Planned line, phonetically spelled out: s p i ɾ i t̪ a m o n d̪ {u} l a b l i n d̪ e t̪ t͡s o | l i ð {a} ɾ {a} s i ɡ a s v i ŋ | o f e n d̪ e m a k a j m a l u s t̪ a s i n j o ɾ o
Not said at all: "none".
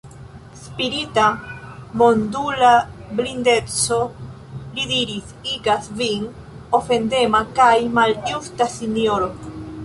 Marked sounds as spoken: u, i, i

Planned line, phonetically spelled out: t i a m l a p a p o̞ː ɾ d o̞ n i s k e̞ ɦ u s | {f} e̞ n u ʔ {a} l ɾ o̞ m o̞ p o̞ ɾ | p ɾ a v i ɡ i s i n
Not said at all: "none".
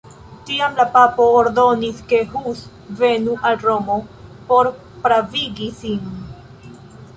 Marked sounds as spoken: v, a

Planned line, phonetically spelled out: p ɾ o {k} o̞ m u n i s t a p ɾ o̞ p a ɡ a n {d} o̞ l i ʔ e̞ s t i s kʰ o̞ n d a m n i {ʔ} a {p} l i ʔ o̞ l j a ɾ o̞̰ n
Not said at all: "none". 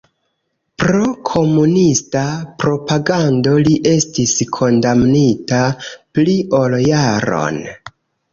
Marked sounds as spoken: kʰ, d, t, p

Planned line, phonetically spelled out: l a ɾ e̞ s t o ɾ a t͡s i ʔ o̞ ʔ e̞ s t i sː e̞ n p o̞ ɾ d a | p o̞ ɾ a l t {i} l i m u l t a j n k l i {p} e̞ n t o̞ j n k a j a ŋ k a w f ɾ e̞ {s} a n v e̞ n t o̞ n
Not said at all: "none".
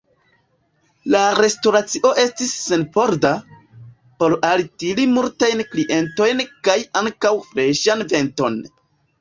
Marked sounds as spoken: i, ʔ, ʃ

